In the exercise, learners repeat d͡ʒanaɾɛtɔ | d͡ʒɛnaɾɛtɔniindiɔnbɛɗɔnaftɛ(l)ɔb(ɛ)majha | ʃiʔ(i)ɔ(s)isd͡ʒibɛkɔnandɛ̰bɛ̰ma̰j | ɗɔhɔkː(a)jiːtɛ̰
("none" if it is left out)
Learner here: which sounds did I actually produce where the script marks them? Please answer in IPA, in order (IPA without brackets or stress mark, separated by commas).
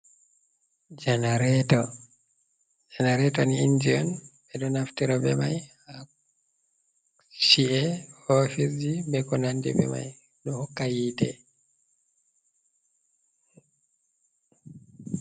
ɾ, ɛ, ɛ, f, a